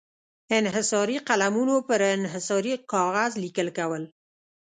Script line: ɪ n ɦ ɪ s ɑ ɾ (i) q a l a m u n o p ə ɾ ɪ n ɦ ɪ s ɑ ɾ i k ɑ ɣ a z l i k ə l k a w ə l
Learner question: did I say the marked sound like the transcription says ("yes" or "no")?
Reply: yes